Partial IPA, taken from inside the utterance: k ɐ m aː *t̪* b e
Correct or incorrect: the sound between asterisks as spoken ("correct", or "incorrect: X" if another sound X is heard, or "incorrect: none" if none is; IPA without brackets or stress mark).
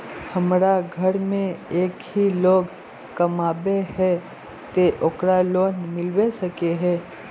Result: incorrect: none